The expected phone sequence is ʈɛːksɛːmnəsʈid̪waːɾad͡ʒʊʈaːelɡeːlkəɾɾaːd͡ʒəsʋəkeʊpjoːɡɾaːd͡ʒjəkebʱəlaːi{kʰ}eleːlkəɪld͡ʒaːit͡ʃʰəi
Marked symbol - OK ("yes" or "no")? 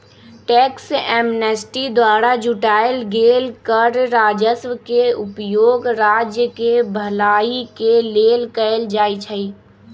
no